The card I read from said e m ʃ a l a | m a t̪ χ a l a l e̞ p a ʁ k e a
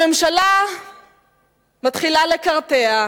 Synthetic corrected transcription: e m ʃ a l a | m a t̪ χ i l a l e̞ k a ʁ t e a